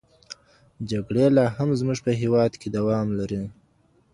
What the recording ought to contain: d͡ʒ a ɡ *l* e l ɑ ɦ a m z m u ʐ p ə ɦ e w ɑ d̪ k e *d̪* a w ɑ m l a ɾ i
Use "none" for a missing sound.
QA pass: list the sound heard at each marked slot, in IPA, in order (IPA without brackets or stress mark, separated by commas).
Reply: ɽ, d̪